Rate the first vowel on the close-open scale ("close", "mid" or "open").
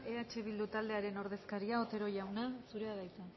mid